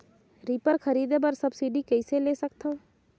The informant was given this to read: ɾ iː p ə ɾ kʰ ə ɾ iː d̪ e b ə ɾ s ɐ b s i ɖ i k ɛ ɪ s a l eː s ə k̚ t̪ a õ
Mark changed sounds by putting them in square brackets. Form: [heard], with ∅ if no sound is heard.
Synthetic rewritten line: ɾ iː p ə ɾ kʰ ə ɾ iː d̪ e b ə ɾ s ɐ b s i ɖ i k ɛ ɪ s [e] l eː s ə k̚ t̪ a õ